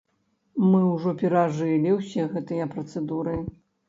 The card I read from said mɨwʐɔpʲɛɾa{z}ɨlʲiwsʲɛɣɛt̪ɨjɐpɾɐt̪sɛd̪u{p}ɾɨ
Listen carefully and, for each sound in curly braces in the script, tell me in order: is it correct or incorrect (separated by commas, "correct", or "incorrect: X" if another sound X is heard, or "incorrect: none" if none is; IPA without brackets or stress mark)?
incorrect: ʐ, incorrect: none